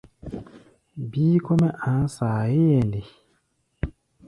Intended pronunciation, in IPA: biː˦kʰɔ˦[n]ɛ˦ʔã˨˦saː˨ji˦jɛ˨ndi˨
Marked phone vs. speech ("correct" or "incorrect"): incorrect